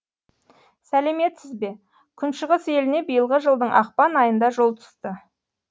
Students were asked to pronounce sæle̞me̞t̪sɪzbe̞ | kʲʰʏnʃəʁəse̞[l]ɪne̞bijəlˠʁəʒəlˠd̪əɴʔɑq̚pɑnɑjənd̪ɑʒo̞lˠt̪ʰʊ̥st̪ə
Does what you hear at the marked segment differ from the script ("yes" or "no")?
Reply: no